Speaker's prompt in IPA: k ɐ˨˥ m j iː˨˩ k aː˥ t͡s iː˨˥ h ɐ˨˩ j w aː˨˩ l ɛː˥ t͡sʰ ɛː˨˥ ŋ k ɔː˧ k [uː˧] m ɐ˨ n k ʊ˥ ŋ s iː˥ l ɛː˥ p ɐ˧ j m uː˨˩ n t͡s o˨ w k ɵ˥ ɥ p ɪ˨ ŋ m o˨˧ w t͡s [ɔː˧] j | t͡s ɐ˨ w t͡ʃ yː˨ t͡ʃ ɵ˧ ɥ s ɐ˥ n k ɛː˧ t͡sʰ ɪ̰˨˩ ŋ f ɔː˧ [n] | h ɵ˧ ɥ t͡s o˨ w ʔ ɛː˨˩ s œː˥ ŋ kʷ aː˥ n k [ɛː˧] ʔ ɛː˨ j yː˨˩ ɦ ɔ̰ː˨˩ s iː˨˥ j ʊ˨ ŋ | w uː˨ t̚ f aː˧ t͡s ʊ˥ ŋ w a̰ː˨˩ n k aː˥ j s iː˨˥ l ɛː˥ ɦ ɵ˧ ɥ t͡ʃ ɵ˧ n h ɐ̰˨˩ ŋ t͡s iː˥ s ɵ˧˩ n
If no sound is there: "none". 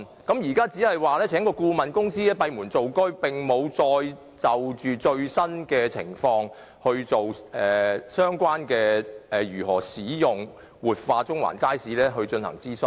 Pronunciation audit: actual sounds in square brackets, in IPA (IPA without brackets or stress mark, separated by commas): uː˧, ɔː˧, ŋ, ɛː˧